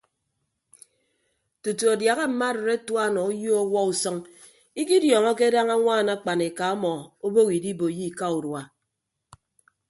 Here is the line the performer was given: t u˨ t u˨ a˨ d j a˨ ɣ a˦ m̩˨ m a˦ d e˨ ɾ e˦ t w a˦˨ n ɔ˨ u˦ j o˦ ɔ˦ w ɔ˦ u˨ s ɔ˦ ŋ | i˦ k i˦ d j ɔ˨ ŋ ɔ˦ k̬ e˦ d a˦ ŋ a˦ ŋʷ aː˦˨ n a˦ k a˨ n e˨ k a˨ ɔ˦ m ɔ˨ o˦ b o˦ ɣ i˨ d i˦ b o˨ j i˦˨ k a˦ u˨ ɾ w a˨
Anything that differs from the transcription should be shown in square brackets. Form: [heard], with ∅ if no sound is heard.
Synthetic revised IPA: t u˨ t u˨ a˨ d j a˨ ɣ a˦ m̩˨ m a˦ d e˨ ɾ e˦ t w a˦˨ n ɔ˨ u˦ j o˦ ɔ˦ w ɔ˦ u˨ s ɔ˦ ŋ | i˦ k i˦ d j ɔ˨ ŋ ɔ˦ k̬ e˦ d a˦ ŋ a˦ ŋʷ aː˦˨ n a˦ [k͡p] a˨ n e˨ k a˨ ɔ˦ m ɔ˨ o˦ b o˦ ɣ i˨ d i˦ b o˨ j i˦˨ k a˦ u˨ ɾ w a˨